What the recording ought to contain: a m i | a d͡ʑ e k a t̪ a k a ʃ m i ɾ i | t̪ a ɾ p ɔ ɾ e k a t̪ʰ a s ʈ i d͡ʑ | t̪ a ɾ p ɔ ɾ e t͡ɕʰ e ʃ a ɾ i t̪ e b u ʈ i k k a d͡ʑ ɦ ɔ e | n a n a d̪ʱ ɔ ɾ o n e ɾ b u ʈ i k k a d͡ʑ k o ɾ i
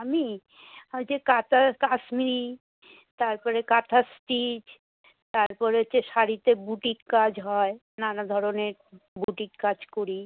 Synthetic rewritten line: a m i | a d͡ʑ e k a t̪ a k a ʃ m i ɾ i | t̪ a ɾ p ɔ ɾ e k a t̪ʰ a s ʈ i d͡ʑ | t̪ a ɾ p ɔ ɾ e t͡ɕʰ e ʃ a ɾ i t̪ e b u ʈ i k k a d͡ʑ ɦ ɔ e | n a n a d̪ʱ ɔ ɾ o n e ɾ b u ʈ i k k a d͡ʑ k o ɾ i

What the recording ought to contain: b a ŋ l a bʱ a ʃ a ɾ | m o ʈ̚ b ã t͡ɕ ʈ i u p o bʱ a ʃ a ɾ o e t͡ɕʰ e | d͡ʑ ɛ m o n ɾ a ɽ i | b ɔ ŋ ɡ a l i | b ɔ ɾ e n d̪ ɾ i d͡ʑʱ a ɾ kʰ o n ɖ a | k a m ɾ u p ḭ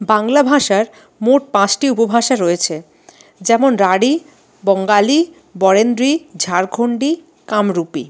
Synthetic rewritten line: b a ŋ l a bʱ a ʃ a ɾ | m o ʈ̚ p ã t͡ɕ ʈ i u p o bʱ a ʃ a ɾ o e t͡ɕʰ e | d͡ʑ ɛ m o n ɾ a ɽ i | b ɔ ŋ ɡ a l i | b ɔ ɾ e n d̪ ɾ i d͡ʑʱ a ɾ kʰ o ɳ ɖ i | k a m ɾ u p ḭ

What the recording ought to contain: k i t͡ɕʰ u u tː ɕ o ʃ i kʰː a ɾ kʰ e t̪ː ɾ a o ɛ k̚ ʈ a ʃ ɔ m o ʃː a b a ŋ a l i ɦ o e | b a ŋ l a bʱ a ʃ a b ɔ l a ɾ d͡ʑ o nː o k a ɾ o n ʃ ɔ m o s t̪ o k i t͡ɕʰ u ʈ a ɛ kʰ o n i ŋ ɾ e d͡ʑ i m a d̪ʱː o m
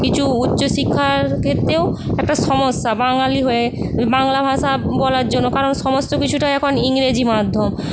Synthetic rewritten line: k i t͡ɕʰ u u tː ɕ o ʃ i kʰː a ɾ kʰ e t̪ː ɾ e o ɛ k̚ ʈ a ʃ ɔ m o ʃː a b a ŋ a l i ɦ o e | b a ŋ l a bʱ a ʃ a b ɔ l a ɾ d͡ʑ o nː o k a ɾ o n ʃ ɔ m o s t̪ o k i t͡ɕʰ u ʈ a ɛ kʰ o n i ŋ ɾ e d͡ʑ i m a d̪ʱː o m

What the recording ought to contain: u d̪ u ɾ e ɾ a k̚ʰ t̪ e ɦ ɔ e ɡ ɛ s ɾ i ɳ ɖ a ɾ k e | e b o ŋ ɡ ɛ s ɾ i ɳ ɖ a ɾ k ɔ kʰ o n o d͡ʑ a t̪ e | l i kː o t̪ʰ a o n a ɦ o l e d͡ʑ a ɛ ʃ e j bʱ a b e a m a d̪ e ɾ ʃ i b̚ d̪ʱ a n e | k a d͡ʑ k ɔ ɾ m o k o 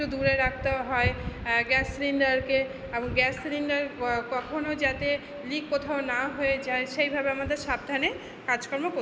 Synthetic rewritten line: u d̪ u ɾ e ɾ a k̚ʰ t̪ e ɦ ɔ e ɡ ɛ s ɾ i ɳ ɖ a ɾ k e | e b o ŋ ɡ ɛ s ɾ i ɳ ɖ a ɾ k ɔ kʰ o n o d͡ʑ a t̪ e | l i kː o t̪ʰ a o n a ɦ o e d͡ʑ a e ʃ e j bʱ a b e a m a d̪ e ɾ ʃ a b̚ d̪ʱ a n e | k a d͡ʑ k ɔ ɾ m o k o

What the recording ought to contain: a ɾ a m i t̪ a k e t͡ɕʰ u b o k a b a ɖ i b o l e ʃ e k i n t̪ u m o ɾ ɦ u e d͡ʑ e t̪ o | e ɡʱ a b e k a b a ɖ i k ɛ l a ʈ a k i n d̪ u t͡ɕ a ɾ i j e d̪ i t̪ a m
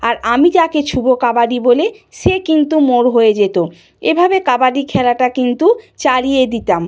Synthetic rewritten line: a ɾ a m i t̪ a k e t͡ɕʰ u b o k a b a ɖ i b o l e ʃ e k i n t̪ u m o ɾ ɦ o e d͡ʑ e t̪ o | e bʱ a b e k a b a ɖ i kʰ ɛ l a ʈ a k i n t̪ u t͡ɕ a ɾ i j e d̪ i t̪ a m

